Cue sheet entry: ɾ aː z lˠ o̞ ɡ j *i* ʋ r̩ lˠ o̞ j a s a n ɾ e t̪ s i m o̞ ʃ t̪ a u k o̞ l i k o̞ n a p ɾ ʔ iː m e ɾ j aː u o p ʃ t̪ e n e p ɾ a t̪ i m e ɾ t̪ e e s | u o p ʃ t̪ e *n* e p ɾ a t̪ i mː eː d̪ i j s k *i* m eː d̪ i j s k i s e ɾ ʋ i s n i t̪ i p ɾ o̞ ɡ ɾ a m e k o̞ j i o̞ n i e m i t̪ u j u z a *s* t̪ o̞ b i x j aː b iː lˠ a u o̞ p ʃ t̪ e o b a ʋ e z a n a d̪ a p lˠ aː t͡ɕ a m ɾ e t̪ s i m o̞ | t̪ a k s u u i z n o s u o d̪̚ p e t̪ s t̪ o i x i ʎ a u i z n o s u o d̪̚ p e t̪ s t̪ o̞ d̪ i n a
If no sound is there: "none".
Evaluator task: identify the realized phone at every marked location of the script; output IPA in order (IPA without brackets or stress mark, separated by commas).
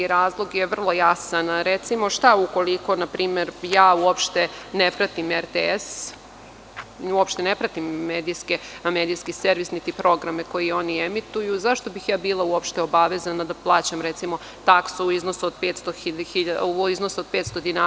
e, n, e, ʃ